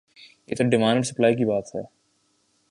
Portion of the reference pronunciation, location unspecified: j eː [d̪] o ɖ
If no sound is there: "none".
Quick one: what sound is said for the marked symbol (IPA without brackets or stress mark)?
t̪